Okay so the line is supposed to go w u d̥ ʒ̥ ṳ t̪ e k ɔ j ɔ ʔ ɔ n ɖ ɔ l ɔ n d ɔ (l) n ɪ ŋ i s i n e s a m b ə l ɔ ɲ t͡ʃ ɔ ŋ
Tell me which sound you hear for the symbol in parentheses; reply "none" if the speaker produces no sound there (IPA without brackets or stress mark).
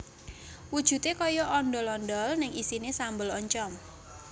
l